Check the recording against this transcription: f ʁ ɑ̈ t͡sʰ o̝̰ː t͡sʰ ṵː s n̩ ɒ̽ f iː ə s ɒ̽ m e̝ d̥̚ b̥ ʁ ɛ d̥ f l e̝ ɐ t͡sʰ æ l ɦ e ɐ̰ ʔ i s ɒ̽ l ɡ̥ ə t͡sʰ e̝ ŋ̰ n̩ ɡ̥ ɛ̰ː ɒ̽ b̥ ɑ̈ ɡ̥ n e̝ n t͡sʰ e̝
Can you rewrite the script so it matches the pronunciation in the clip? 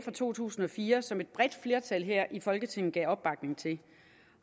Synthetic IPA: f ʁ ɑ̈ t͡sʰ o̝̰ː t͡sʰ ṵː s n̩ ɒ̽ f iː ɐ s ɒ̽ m e̝ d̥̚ b̥ ʁ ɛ d̥ f l e̝ ɐ t͡sʰ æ l ɦ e ɐ̰ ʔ i f ɒ̽ l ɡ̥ ə t͡sʰ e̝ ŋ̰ n̩ ɡ̥ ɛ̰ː ɒ̽ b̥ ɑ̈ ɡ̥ n e̝ ŋ t͡sʰ e̝